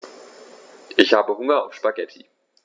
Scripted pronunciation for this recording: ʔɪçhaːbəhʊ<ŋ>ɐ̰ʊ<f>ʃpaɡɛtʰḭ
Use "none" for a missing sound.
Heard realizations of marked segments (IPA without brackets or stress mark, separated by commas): ŋ, f